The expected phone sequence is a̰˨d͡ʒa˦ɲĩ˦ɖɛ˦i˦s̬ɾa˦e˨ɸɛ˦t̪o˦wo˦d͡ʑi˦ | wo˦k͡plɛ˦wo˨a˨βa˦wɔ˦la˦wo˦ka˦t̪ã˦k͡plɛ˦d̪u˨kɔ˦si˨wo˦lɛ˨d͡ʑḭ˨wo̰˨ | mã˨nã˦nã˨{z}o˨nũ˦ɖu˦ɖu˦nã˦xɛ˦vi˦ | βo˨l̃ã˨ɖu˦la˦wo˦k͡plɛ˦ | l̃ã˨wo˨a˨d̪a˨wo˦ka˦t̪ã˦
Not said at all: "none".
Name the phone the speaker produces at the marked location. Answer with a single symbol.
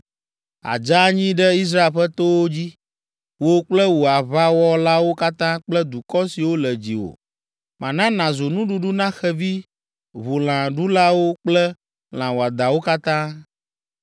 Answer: z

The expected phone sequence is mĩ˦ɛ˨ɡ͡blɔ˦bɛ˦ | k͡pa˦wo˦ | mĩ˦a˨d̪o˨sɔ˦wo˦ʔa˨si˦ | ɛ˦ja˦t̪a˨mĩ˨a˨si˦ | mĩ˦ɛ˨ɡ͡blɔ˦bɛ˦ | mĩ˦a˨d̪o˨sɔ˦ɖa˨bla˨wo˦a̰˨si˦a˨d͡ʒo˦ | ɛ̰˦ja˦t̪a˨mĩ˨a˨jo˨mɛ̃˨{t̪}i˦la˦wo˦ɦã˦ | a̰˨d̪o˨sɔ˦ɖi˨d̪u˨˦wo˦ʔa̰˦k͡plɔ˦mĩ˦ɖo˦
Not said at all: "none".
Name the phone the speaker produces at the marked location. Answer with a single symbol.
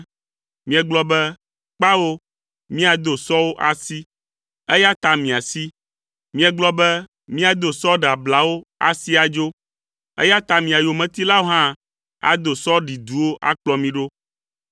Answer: t̪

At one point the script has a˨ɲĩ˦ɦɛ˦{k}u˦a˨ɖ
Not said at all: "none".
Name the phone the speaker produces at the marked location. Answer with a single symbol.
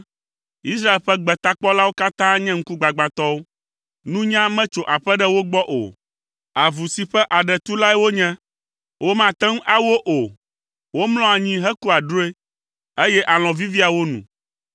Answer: k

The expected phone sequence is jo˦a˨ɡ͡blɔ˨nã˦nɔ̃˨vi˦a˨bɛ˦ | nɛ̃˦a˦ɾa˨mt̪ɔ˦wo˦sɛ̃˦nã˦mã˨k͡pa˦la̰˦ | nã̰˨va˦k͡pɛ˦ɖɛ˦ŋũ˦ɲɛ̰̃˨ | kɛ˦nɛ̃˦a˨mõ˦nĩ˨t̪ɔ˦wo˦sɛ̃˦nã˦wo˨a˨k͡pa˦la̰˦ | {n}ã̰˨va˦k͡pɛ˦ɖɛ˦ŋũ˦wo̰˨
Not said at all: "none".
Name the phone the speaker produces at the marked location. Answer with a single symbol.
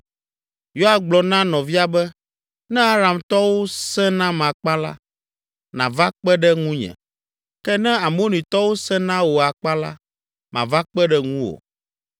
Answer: m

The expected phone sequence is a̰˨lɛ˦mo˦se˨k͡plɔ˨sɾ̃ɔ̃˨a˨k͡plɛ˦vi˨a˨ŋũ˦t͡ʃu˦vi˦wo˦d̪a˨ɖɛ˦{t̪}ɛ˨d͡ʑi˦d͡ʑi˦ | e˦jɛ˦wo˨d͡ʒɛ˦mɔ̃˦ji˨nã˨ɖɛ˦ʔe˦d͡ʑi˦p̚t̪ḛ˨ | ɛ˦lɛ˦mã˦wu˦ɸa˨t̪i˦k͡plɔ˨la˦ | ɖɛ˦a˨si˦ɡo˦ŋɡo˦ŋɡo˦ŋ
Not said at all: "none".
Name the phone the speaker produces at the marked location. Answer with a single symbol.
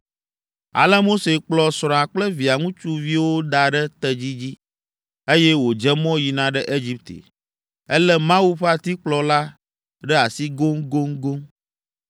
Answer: t̪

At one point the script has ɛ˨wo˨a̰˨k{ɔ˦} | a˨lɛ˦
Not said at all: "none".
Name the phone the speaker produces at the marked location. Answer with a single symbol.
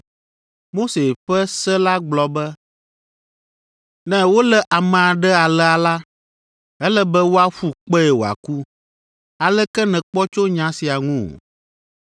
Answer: u˦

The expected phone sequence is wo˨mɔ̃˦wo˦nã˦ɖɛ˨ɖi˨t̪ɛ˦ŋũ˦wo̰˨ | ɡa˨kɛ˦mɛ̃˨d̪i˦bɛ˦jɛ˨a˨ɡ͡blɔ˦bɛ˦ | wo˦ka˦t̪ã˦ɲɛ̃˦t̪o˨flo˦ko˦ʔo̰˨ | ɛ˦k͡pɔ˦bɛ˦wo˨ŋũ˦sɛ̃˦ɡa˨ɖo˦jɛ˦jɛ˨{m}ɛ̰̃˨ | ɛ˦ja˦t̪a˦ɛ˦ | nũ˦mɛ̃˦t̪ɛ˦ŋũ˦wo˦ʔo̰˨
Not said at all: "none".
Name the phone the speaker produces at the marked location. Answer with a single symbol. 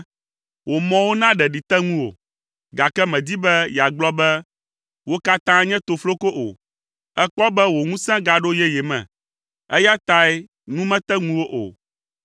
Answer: m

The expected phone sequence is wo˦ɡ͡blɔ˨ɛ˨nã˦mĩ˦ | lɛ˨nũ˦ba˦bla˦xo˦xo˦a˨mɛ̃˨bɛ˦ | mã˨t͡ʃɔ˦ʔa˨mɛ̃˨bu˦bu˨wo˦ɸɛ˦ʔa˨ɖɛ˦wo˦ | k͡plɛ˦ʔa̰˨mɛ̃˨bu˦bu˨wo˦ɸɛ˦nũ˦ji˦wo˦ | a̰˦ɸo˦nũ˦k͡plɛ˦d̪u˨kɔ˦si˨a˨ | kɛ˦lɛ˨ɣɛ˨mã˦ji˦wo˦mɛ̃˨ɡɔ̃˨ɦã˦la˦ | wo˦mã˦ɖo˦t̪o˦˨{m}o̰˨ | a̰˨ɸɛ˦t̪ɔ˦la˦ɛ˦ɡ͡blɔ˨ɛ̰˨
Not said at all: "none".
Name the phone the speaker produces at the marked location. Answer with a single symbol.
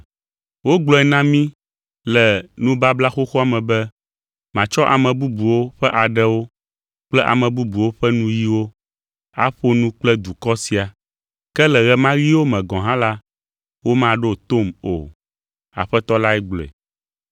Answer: m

